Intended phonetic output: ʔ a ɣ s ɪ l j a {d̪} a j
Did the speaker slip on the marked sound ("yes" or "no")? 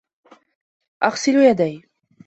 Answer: no